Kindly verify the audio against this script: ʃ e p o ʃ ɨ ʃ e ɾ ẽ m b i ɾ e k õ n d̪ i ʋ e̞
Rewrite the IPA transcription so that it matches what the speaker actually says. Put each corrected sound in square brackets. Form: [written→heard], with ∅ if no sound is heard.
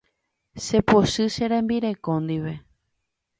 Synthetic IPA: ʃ e p o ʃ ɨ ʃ e ɾ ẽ m b i ɾ e k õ n d̪ i ʋ e̞